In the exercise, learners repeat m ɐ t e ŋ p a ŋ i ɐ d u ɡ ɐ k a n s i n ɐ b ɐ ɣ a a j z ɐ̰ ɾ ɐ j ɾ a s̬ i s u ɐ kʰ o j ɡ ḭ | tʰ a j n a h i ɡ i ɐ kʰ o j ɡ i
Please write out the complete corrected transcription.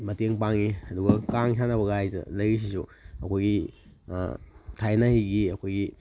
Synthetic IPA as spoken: m ɐ t e ŋ p a ŋ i ɐ d u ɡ ɐ k a ŋ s a n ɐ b ɐ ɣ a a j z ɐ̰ l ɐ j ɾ i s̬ i s u ɐ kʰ o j ɡ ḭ | tʰ a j n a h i ɡ i ɐ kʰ o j ɡ i